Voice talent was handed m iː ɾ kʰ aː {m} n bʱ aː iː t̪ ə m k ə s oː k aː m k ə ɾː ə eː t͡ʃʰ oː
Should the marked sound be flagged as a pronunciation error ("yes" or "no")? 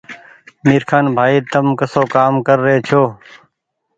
yes